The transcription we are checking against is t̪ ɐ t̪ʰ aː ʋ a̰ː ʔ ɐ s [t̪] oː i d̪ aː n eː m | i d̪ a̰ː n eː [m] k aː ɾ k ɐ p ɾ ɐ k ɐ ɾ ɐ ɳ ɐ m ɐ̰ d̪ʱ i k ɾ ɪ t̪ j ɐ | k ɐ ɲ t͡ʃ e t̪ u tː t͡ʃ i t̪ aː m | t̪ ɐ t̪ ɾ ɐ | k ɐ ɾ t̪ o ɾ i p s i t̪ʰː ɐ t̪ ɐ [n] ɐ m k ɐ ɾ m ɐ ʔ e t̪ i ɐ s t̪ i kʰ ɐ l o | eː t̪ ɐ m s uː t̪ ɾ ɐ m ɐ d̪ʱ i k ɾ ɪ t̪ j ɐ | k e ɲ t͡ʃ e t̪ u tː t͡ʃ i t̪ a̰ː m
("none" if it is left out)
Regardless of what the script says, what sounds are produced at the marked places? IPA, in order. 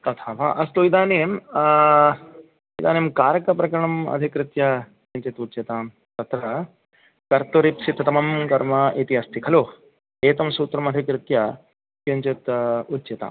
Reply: t̪, m, m

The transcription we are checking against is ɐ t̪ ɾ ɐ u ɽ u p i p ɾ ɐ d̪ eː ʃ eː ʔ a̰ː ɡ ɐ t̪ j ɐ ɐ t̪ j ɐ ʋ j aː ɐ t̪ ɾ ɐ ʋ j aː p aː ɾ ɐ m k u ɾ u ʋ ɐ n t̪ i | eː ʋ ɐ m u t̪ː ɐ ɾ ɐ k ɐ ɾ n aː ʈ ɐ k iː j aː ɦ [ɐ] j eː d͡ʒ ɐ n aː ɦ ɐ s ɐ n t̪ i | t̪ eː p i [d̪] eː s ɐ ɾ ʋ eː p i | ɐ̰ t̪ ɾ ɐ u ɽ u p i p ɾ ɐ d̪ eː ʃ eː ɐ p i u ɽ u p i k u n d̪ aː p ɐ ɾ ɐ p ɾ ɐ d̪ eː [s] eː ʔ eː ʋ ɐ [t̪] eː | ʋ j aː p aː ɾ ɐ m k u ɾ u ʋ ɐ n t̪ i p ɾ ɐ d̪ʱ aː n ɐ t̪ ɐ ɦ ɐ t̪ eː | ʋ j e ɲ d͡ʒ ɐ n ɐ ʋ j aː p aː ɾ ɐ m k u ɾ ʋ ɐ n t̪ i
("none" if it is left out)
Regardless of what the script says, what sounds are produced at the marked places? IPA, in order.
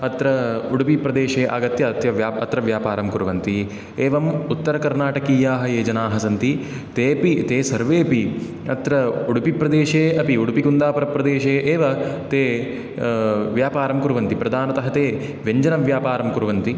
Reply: ɐ, t̪, ʃ, t̪

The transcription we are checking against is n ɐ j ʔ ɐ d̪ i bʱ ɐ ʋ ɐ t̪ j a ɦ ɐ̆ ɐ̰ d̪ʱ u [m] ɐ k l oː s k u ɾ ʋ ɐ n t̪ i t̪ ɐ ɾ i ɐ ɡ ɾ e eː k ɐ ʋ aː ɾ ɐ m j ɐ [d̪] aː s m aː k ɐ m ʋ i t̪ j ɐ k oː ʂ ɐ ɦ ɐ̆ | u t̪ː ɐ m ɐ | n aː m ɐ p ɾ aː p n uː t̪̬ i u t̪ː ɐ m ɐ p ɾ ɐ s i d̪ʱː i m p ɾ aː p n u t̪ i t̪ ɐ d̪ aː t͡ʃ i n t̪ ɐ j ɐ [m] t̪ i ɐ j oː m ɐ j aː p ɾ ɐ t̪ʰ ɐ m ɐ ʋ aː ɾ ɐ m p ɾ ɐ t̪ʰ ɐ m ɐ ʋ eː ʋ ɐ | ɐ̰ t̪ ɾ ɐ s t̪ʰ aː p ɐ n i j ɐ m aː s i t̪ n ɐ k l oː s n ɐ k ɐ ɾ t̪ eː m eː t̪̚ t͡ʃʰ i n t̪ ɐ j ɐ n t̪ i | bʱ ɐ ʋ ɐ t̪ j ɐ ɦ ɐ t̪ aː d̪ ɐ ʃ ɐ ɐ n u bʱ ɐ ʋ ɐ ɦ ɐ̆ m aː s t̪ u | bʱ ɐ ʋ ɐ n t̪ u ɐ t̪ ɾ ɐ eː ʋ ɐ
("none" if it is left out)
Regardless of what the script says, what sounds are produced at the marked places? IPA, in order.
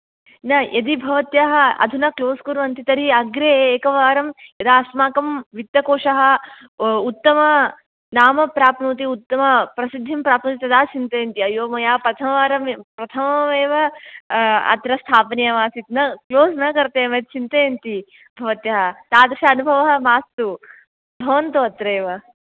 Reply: n, d̪, n

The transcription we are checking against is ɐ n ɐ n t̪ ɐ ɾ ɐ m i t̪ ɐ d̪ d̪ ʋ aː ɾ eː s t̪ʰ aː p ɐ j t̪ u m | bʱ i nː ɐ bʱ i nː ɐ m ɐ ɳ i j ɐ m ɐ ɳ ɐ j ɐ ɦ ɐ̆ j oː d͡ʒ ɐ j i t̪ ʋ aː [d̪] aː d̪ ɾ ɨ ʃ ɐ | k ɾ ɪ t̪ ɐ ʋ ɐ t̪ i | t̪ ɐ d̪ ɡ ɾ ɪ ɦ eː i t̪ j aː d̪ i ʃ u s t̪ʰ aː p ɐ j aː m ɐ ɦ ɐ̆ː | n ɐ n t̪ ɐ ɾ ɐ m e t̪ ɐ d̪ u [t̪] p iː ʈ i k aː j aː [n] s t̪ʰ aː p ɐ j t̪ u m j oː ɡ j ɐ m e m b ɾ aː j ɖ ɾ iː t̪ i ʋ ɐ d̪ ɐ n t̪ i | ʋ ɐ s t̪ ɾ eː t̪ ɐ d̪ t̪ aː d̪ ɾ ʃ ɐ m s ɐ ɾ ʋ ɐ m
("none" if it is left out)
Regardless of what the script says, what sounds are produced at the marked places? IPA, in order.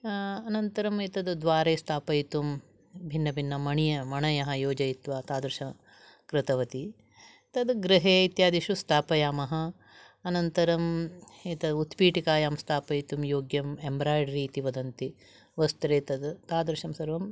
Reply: t̪, t̪, m

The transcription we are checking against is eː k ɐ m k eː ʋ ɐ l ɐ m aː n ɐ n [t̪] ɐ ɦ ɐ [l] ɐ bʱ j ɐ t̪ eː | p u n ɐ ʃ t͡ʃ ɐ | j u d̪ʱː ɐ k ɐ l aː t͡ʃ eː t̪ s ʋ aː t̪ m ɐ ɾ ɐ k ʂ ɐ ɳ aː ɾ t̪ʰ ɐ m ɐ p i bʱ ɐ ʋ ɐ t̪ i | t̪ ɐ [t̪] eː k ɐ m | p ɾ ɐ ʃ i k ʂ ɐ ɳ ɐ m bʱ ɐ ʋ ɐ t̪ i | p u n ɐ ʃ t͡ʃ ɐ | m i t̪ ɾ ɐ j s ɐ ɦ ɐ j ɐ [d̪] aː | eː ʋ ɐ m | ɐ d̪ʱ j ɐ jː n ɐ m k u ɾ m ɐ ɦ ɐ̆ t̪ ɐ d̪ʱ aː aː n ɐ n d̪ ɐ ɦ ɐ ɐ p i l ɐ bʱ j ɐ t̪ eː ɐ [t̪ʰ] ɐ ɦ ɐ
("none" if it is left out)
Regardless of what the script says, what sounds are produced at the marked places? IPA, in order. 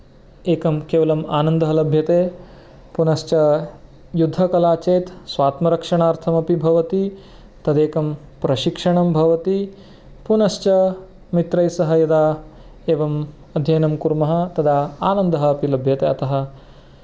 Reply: d̪, l, d̪, d̪, t̪

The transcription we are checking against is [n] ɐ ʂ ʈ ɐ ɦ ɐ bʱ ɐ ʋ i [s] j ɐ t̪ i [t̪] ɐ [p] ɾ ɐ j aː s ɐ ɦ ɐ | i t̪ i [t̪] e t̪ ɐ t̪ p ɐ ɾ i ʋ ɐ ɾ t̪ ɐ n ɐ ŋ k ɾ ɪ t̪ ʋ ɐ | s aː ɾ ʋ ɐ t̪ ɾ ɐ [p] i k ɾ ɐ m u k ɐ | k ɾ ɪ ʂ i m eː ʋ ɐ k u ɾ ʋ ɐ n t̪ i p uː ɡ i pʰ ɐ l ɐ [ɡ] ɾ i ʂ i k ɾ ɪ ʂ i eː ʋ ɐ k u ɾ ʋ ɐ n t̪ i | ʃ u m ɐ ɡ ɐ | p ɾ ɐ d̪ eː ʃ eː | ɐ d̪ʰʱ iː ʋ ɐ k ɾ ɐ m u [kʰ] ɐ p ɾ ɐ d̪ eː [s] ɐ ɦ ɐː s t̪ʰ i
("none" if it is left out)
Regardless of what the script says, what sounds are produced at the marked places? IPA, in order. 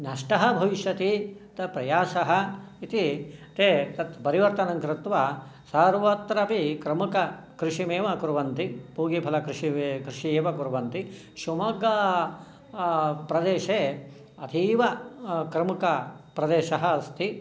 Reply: n, ʃ, t̪, p, t̪, p, k, k, ʃ

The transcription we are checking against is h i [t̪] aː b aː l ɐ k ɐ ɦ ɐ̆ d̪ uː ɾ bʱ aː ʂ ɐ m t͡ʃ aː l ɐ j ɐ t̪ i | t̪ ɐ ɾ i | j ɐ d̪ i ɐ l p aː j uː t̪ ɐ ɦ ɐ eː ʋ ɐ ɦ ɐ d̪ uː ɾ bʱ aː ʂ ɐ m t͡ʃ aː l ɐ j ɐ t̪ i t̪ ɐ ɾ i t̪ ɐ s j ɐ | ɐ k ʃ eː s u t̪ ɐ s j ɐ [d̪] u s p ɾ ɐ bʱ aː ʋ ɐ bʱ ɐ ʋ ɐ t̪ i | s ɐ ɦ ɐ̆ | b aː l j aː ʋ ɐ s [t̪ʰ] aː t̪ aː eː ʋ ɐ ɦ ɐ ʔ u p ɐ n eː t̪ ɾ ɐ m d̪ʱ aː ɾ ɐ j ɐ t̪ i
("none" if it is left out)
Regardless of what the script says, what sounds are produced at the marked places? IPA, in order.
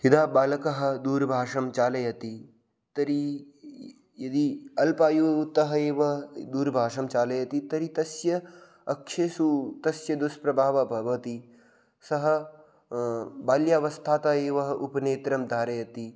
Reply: d̪, d̪, t̪ʰ

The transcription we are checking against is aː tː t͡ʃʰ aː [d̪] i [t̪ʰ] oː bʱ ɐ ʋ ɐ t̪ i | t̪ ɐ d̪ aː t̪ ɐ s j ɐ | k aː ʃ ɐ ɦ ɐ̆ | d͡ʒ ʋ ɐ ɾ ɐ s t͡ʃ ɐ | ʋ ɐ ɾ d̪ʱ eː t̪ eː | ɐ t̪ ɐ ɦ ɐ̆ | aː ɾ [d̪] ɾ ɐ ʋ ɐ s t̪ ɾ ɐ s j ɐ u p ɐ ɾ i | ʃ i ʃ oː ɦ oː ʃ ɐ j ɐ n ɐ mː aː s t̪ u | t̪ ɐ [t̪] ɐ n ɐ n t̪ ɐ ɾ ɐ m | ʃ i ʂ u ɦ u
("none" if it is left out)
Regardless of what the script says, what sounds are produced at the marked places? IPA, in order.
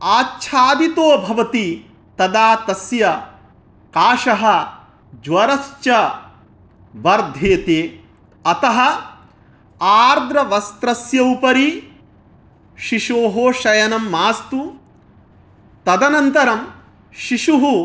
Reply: d̪, t̪, d̪, d̪

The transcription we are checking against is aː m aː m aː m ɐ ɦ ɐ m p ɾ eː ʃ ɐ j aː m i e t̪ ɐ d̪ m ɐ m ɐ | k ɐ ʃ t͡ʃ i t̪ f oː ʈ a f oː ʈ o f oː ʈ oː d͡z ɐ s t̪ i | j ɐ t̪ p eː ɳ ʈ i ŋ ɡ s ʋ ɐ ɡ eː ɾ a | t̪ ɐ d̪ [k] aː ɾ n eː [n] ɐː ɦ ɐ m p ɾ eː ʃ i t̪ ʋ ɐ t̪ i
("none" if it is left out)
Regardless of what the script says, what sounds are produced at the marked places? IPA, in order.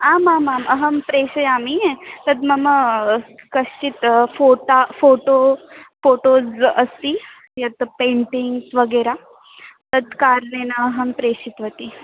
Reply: k, n

